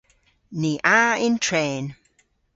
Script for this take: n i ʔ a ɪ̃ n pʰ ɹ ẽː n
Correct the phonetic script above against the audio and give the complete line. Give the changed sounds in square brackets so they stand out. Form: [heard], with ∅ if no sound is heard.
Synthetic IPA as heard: n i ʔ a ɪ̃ n [tʰ] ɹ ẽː n